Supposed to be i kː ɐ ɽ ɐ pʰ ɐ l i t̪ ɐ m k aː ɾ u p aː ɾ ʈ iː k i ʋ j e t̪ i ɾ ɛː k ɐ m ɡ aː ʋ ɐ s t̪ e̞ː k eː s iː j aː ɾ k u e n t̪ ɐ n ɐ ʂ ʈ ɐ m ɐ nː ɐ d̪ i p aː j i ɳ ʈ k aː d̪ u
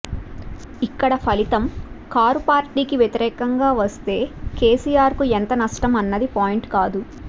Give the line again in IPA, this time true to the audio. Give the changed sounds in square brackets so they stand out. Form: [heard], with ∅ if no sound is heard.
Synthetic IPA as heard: i kː ɐ ɽ ɐ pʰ ɐ l i t̪ ɐ m k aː ɾ u p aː ɾ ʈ iː k i ʋ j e t̪ i ɾ ɛː k ɐ [ŋ] ɡ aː ʋ ɐ s t̪ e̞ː k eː s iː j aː ɾ k u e n t̪ ɐ n ɐ ʂ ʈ ɐ m ɐ nː ɐ d̪ i p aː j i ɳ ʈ k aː d̪ u